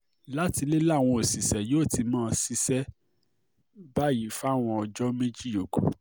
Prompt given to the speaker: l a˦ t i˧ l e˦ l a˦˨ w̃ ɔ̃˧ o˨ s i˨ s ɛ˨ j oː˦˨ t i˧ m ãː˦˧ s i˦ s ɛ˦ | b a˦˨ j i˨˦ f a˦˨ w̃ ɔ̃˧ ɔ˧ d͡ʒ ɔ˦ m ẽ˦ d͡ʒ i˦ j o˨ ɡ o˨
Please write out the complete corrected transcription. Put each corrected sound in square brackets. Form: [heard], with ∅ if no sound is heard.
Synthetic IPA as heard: l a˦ t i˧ l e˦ l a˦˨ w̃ ɔ̃˧ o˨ s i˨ s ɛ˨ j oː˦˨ t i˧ m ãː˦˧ s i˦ s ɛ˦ | b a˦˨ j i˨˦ f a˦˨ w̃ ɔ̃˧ ɔ˧ d͡ʒ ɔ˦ m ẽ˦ d͡ʒ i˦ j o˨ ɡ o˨